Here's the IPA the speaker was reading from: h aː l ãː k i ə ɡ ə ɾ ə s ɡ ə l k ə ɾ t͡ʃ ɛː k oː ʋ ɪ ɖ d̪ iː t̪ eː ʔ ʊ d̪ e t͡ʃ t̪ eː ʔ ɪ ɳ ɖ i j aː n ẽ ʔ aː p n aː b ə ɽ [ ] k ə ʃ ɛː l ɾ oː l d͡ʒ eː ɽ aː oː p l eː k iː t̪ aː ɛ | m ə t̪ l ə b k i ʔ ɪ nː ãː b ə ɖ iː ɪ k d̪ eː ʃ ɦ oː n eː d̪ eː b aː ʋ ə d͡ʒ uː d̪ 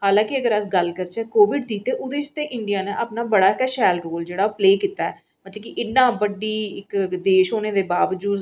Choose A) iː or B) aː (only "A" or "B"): B